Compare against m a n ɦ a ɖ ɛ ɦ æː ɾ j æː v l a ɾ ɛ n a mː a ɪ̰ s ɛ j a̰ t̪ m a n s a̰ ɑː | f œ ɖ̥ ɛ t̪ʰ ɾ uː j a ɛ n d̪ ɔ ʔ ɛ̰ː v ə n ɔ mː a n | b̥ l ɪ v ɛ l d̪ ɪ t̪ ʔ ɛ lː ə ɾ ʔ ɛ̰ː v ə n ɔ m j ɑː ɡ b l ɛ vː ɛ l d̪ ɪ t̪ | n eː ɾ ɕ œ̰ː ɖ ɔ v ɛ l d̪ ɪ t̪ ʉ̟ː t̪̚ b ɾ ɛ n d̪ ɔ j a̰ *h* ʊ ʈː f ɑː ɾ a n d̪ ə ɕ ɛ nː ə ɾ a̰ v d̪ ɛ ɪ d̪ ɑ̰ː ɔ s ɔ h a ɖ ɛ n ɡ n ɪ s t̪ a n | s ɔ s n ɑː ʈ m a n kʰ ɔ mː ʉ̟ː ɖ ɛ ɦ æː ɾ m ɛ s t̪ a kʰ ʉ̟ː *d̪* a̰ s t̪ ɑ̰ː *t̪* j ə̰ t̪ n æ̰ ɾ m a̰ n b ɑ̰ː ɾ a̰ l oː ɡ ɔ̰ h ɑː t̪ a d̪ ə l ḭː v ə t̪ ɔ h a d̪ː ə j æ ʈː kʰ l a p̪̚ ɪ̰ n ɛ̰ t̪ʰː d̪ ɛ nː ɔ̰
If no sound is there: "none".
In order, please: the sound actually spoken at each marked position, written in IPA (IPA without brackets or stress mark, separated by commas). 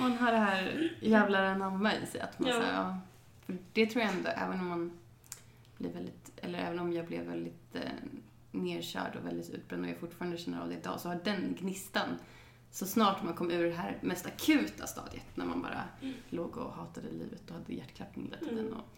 f, t̪, d̪